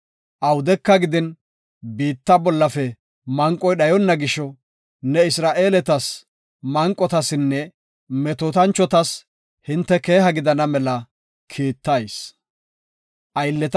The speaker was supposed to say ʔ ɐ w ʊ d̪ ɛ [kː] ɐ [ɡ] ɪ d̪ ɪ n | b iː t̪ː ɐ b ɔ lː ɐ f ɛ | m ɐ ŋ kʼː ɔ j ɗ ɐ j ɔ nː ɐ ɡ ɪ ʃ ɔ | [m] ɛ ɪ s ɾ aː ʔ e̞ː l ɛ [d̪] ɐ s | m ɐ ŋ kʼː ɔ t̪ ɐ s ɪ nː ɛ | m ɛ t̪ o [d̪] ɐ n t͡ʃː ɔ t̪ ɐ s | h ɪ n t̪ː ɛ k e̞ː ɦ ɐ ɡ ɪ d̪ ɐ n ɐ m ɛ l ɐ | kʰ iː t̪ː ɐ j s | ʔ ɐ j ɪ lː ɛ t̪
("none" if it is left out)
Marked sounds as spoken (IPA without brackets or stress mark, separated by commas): kː, ɡ, n, t̪, t̪